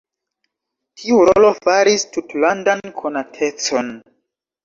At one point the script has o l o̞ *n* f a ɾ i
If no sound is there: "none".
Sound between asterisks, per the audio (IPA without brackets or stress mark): none